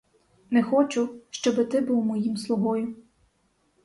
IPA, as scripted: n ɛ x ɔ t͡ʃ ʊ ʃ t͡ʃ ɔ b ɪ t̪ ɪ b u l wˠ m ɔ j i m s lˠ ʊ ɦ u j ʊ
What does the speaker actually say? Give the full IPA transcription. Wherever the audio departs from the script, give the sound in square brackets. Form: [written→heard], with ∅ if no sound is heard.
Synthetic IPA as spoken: n ɛ x ɔ t͡ʃ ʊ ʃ t͡ʃ ɔ b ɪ t̪ ɪ b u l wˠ m ɔ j i m s lˠ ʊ ɦ [u→ɔ] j ʊ